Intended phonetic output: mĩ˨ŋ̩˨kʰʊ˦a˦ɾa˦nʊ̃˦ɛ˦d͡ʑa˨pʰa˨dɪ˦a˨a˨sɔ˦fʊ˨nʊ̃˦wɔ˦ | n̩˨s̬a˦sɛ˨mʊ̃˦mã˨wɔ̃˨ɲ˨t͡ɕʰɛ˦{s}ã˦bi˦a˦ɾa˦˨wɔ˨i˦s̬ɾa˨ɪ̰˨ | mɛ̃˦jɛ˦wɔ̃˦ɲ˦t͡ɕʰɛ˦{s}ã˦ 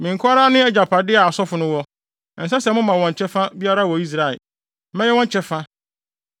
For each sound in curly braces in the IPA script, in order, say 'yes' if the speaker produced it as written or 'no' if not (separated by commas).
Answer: no, no